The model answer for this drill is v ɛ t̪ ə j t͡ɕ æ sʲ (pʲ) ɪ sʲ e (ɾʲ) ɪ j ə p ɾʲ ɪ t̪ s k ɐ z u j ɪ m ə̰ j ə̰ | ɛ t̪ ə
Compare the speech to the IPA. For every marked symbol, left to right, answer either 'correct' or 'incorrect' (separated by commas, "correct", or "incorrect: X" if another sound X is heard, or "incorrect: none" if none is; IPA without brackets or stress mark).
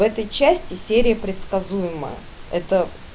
incorrect: tʲ, correct